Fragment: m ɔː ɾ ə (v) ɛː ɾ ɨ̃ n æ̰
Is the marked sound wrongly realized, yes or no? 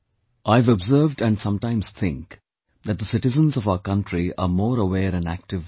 yes